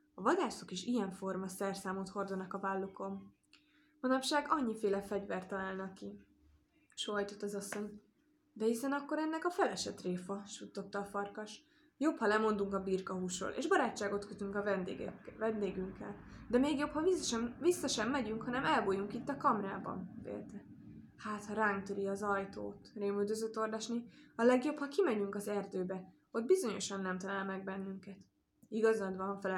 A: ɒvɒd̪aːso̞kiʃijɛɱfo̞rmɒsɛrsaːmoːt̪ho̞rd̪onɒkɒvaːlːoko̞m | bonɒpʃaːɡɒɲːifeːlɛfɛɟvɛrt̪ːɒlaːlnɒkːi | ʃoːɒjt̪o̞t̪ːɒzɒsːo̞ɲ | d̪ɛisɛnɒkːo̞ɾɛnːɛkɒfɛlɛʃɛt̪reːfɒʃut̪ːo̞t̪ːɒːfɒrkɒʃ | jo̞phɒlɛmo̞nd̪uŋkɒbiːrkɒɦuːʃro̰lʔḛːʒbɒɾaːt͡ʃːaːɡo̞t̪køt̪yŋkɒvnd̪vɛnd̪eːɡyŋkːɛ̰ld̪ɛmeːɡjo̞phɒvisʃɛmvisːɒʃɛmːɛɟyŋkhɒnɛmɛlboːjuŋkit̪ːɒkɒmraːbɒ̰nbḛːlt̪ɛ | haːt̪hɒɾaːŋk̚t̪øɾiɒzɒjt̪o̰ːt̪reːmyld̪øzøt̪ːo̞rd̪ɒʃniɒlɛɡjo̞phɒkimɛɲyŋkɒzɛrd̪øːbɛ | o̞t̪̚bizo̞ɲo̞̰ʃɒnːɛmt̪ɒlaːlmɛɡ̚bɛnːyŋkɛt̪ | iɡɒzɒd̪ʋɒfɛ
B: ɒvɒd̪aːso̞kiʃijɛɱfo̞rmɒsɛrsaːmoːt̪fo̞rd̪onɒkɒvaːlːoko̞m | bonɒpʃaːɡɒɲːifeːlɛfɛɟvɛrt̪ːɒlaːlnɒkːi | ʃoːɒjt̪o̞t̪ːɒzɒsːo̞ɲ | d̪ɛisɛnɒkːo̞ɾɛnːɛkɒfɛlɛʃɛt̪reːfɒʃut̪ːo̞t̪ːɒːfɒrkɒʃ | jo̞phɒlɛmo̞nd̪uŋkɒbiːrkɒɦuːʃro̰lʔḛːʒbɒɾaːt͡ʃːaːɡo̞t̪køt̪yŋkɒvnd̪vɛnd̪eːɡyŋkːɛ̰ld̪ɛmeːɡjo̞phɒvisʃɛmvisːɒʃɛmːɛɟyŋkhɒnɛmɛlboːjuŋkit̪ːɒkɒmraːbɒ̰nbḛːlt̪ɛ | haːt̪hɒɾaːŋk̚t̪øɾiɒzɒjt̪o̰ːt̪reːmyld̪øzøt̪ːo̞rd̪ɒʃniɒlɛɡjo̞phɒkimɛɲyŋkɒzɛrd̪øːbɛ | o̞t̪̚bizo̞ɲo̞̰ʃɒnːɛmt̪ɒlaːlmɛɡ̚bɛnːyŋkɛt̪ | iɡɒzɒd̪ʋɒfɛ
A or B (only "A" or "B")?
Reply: A